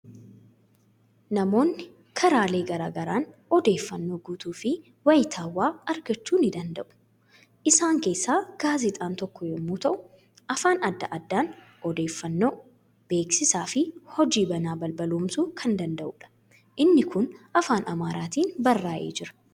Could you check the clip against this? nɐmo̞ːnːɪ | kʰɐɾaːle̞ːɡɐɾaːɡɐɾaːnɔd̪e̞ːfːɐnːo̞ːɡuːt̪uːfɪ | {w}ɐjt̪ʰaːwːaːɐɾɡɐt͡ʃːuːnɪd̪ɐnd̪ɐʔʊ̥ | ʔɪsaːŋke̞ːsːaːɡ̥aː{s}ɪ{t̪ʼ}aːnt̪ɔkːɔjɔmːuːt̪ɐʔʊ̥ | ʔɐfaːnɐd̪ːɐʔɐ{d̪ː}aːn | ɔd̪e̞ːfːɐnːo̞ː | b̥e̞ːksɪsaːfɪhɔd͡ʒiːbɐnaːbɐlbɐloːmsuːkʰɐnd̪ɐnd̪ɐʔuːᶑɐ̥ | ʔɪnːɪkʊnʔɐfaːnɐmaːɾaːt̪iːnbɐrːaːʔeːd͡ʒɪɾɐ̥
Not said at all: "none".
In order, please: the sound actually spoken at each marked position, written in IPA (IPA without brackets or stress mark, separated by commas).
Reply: w, z, t̪ʼ, d̪ː